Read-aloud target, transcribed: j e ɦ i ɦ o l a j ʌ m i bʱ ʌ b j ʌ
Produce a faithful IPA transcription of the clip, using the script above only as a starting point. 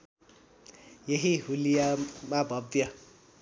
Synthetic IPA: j e ɦ i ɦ u l i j a m a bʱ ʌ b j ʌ